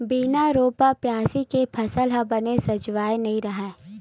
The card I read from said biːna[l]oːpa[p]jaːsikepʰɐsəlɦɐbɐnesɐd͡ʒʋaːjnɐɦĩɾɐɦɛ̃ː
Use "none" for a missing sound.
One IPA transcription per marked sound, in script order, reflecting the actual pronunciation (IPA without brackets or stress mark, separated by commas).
ɾ, p